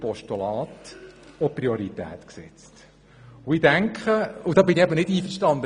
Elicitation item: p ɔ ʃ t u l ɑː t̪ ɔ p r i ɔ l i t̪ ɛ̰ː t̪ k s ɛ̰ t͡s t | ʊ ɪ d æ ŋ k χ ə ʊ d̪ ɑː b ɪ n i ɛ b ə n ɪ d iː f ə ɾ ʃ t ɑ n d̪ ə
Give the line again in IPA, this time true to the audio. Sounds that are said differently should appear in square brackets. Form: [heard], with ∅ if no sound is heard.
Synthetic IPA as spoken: p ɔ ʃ t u l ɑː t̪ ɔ p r i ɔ [ɾ] i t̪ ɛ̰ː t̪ k s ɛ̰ t͡s t | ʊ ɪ d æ ŋ k χ ə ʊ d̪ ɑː b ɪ n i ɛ b ə n ɪ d iː f ə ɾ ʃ t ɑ n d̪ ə